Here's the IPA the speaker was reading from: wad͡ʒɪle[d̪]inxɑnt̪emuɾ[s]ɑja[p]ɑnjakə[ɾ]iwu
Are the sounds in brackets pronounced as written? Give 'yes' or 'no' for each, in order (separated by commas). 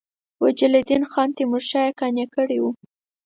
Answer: yes, no, no, no